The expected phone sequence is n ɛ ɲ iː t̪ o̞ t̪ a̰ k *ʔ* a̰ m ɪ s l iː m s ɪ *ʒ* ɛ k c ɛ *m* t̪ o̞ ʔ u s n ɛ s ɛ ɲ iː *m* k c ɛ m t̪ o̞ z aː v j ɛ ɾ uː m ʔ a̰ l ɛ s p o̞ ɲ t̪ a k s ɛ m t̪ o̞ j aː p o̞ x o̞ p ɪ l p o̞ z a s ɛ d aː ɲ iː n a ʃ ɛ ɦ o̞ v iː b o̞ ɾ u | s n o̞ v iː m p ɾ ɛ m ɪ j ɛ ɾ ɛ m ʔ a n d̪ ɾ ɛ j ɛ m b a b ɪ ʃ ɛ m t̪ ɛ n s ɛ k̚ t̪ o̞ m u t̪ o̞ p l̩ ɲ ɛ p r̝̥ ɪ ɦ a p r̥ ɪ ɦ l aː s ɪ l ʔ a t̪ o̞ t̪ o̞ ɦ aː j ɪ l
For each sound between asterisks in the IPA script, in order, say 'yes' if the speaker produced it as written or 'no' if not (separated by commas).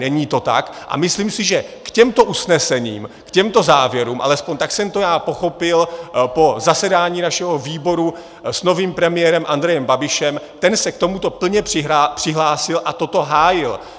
yes, yes, yes, yes